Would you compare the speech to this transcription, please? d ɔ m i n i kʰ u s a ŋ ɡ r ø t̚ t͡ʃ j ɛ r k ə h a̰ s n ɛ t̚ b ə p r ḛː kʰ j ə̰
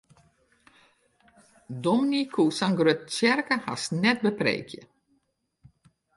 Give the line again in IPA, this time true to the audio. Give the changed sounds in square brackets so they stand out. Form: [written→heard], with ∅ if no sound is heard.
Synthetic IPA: d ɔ m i n i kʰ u s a ŋ ɡ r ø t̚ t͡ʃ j ɛ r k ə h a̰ s n ɛ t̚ b ə p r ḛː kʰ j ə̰